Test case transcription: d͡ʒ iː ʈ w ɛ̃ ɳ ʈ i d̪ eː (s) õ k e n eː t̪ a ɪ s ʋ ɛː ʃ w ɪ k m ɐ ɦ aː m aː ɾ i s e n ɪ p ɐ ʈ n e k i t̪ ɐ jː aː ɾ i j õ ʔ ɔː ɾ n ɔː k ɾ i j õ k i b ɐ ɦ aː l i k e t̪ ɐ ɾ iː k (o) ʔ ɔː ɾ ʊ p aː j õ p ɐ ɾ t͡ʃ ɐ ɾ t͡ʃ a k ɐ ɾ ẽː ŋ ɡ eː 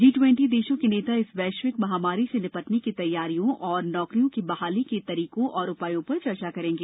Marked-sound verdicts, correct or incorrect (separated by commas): incorrect, incorrect